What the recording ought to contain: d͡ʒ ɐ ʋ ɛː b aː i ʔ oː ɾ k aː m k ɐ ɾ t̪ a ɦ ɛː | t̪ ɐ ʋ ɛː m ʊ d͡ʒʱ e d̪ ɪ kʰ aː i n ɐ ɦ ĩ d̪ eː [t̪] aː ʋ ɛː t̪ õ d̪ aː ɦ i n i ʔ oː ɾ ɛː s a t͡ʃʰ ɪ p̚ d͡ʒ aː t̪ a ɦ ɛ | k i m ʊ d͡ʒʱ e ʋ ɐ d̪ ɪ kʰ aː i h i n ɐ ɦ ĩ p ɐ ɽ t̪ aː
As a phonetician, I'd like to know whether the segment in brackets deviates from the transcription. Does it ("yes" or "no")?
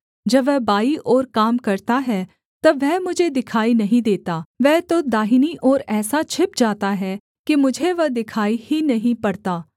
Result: no